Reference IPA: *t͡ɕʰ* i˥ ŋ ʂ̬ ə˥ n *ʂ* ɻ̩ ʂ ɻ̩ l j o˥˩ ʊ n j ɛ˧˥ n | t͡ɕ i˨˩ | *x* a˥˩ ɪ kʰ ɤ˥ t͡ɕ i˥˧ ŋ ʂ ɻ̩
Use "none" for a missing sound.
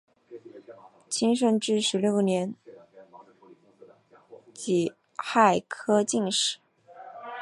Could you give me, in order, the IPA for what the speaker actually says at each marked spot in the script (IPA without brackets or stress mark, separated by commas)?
t͡ɕʰ, ʈ͡ʂ, x